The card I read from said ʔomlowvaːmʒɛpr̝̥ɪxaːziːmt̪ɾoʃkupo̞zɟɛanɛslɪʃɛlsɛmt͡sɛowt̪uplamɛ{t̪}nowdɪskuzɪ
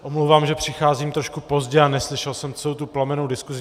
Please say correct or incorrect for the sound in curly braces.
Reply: incorrect